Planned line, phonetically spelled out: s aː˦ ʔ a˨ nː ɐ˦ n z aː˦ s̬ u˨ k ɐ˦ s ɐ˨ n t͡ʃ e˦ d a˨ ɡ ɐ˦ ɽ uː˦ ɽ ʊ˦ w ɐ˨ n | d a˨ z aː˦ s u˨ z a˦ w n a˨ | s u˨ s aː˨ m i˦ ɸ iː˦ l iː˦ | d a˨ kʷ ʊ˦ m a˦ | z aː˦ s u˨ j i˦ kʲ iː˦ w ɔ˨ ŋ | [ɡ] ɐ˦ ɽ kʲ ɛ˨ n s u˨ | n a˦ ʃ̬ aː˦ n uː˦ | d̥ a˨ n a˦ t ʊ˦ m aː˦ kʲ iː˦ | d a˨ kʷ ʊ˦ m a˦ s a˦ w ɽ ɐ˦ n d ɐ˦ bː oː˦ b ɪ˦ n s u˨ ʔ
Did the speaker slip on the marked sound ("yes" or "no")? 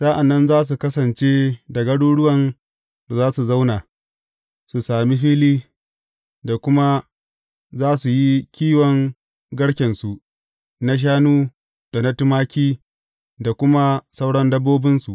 no